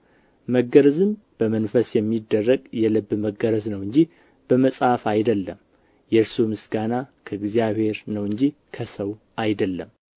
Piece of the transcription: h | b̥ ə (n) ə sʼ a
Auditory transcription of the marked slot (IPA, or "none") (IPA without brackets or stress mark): m